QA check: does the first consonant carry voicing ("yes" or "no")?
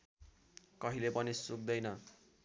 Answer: no